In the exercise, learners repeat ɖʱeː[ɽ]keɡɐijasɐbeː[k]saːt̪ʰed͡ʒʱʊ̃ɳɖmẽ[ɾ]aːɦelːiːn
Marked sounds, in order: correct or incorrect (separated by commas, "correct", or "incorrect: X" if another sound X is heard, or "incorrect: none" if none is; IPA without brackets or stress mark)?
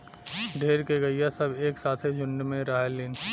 incorrect: ɾ, correct, correct